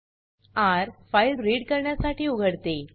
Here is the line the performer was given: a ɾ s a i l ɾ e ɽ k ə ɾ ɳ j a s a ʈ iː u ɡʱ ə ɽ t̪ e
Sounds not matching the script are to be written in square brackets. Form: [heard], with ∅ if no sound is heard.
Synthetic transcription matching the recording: a ɾ [f] a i l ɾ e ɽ k ə ɾ ɳ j a s a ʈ iː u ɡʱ ə ɽ t̪ e

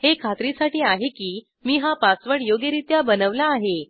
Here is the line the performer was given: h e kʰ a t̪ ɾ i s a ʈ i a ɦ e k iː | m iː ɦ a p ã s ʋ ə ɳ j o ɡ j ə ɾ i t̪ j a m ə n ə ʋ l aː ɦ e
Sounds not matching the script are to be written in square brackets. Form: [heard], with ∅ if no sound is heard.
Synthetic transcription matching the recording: h e kʰ a t̪ ɾ i s a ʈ [iː] a ɦ e k iː | m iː ɦ a p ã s ʋ ə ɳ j o ɡ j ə ɾ i t̪ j a [b] ə n ə ʋ l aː ɦ e

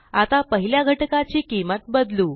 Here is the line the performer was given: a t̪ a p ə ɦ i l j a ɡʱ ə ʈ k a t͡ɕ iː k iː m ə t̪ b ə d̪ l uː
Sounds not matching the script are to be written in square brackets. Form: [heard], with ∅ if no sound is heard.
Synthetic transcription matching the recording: a t̪ a p ə ɦ i l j a ɡʱ ə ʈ k a t͡ɕ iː k [i] m ə t̪ b ə d̪ l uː

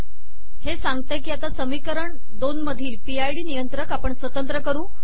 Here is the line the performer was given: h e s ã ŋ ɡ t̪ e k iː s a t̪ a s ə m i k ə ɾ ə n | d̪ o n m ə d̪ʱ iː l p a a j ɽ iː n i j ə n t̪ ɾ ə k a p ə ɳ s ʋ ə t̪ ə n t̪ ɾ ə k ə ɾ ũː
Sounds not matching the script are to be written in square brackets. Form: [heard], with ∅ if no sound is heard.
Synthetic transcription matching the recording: h e s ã ŋ ɡ t̪ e k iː [∅] a t̪ a s ə m i k ə ɾ ə [ɳ] | d̪ o n m ə d̪ʱ iː l p [i] a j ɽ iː n i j ə n t̪ ɾ ə k a p ə ɳ s ʋ ə t̪ ə n t̪ ɾ ə k ə ɾ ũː

